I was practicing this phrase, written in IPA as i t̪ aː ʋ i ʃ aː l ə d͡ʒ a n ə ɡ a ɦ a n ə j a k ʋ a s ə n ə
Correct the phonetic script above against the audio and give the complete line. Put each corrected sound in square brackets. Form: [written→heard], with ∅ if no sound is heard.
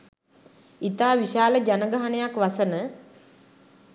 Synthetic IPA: i t̪ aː ʋ i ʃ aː l ə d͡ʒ a n ə ɡ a ɦ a n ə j a k ʋ a s ə n ə